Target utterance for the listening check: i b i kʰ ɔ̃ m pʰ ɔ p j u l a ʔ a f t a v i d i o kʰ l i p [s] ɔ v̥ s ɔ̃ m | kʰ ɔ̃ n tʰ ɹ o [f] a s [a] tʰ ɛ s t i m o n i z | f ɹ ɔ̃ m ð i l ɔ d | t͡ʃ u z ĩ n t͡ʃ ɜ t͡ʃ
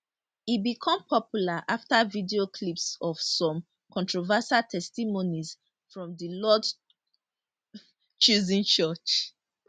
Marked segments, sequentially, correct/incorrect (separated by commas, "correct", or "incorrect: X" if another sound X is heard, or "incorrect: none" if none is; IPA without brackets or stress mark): correct, incorrect: v, correct